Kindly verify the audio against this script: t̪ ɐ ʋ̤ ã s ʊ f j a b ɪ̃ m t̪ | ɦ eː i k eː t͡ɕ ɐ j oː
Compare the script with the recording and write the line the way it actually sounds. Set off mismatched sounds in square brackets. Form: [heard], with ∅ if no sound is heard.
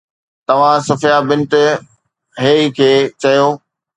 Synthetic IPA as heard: t̪ ɐ ʋ̤ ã s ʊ f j a b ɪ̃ [n] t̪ | ɦ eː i [kʰ] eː t͡ɕ ɐ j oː